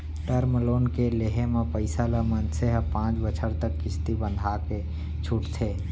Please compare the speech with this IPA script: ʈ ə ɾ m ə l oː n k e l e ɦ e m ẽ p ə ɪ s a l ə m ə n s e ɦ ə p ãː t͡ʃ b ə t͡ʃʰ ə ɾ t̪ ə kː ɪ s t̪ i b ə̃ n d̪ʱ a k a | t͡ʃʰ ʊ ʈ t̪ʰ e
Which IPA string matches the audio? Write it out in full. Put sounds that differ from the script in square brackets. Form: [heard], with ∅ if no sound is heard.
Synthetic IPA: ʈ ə ɾ m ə l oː n k e l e ɦ e m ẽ p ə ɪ s a l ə m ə n s e ɦ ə p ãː t͡ʃ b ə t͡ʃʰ ə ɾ t̪ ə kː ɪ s t̪ i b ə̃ n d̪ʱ a k [e] | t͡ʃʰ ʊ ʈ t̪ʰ e